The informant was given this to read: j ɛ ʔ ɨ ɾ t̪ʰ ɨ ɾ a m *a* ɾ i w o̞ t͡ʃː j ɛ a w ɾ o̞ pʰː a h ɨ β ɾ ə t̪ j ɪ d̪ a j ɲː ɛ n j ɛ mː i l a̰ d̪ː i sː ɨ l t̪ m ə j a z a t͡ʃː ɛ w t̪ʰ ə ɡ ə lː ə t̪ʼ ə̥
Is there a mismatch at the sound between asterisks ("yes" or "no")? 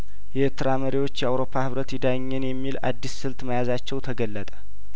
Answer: yes